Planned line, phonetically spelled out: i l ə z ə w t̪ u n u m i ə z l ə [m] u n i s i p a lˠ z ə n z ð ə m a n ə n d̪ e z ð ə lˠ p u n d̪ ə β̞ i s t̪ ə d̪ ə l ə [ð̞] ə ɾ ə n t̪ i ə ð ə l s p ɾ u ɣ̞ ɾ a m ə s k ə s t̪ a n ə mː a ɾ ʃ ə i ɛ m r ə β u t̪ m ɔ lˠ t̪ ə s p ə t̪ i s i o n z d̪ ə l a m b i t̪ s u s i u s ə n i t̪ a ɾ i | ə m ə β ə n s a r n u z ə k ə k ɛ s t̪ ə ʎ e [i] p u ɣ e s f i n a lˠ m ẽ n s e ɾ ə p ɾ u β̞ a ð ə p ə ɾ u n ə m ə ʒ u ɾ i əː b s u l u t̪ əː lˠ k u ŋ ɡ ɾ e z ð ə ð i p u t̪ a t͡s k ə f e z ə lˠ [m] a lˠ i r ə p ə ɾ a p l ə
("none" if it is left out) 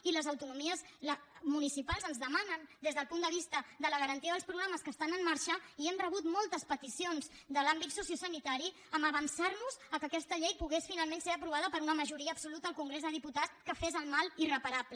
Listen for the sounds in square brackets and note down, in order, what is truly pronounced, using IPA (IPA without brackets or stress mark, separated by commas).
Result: m, ɣ̞, j, m